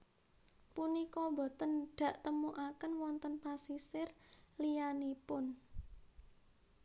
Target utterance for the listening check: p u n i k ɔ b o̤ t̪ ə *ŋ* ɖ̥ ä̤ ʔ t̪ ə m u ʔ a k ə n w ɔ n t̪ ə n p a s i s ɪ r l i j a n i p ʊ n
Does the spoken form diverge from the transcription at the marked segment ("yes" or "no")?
yes